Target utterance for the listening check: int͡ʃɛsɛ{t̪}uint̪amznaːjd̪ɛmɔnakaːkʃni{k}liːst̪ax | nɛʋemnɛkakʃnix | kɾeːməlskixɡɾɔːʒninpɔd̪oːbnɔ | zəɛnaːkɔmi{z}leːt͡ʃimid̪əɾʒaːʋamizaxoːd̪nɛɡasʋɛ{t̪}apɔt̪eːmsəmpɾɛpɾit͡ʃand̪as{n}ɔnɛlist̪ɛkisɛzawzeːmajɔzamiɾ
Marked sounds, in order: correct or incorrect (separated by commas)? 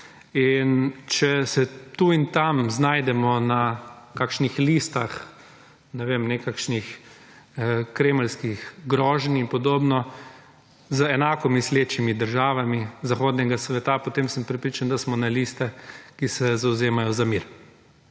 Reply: correct, incorrect, incorrect, correct, incorrect